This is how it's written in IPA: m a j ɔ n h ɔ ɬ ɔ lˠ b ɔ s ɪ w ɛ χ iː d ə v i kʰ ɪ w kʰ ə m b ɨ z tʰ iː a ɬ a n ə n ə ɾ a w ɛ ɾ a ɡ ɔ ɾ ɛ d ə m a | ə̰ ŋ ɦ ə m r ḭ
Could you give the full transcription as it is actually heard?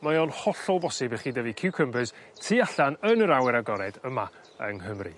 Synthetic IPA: m a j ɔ n h ɔ ɬ ɔ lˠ b ɔ s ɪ b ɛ χ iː d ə v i kʰ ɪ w kʰ ə m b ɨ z tʰ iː a ɬ a n ə n ə ɾ a w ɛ ɾ a ɡ ɔ ɾ ɛ d ə m a | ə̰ ŋ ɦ ə m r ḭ

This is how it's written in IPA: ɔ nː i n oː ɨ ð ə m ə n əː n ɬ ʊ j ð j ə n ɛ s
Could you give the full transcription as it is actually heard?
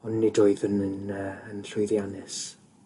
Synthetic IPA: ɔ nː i d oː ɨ ð ə n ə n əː n ɬ ʊ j ð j a n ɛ s

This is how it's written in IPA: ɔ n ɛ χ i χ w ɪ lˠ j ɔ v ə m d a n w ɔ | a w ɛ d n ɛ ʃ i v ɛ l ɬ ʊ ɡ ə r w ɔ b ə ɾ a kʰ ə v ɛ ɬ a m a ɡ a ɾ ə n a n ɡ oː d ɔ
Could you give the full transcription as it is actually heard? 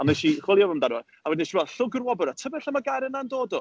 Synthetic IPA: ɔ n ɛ ʃ i χ w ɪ lˠ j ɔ v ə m d a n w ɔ | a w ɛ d n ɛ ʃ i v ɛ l ɬ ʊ ɡ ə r w ɔ b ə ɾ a tʰ ə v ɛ ɬ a m a ɡ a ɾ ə n a n d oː d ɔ

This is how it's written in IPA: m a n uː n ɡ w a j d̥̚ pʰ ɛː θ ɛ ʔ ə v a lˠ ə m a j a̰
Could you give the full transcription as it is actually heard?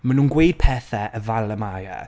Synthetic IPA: m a n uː n ɡ w e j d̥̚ pʰ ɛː θ ɛ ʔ ə v a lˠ ə m a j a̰

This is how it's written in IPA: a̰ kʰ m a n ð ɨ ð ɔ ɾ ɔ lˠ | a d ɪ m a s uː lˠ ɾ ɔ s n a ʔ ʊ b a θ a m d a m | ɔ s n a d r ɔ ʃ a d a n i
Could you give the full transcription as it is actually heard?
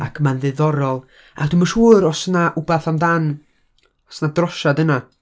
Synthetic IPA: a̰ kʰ m a n ð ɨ ð ɔ ɾ ɔ lˠ | a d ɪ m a ʃ uː ɾ ɔ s n a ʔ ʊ b a θ a m d a n | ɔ s n a d r ɔ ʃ a d ə n a

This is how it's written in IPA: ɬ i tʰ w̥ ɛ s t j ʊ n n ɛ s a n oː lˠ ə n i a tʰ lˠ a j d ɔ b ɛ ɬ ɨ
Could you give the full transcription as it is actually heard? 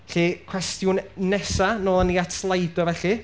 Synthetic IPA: ɬ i kʰ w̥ ɛ s t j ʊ n n ɛ s a n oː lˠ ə n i a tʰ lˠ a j d ɔ v ɛ ɬ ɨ

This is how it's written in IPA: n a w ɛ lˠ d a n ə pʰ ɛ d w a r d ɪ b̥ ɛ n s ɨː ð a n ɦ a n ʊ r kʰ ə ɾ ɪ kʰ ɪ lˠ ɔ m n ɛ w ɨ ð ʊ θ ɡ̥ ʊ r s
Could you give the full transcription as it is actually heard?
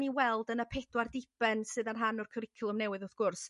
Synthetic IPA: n i w ɛ lˠ d ə n ə pʰ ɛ d w a r d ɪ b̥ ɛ n s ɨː ð a n ɦ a n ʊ r kʰ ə ɾ ɪ kʰ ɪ lˠ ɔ m n ɛ w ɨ ð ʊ θ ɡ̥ ʊ r s

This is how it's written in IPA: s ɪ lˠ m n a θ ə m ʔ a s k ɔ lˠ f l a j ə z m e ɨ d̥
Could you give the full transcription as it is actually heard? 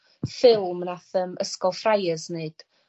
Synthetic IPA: f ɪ lˠ m n a θ ə m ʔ ə s k ɔ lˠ f r a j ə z n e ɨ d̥

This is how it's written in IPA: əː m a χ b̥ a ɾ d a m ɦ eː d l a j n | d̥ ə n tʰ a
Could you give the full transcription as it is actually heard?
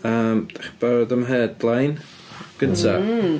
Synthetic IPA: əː m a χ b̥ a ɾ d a m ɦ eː d l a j n | ɡ̥ ə n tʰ a

